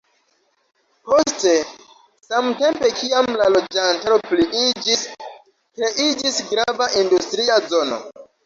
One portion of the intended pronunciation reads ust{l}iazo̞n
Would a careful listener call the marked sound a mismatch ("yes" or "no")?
yes